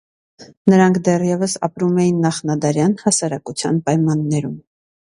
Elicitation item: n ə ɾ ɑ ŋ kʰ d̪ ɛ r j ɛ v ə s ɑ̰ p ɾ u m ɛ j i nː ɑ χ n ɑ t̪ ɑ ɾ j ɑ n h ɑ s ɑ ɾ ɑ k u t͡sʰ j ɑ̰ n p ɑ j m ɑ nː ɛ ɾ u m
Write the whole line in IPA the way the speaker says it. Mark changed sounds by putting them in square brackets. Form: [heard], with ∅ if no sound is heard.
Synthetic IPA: n ə ɾ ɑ ŋ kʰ d̪ ɛ r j ɛ v ə s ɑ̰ p ɾ u m ɛ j i nː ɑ χ n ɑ [d̪] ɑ ɾ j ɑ n h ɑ s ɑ ɾ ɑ k u t͡sʰ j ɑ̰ n p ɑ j m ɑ nː ɛ ɾ u m